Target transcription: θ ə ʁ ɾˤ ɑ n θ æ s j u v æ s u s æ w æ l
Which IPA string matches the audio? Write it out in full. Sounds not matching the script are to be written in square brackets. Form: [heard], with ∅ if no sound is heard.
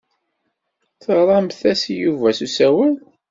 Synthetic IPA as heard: θ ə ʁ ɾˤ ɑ [m] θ æ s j u v æ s u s æ w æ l

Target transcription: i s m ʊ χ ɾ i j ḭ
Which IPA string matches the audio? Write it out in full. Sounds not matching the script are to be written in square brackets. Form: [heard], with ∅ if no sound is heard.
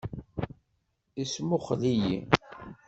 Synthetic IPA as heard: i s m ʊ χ [l] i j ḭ

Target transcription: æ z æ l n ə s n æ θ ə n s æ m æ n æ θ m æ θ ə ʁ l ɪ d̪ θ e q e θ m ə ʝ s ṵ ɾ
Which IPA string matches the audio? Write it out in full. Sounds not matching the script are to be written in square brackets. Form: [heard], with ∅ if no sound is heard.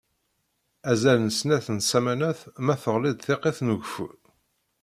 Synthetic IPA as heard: æ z æ l n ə s n æ θ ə n s æ m æ n æ θ m æ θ ə ʁ l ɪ d̪ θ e q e θ [n] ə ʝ [f] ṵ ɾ

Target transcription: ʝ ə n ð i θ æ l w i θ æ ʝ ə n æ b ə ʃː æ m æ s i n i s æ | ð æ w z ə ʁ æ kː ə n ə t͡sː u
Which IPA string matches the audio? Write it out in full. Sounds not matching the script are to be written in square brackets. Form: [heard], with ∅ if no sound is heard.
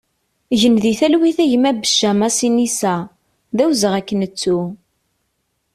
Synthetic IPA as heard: ʝ ə n ð i θ æ l w i θ æ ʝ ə [m] æ b ə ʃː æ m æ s i n i s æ | ð æ w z ə ʁ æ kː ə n ə t͡sː u

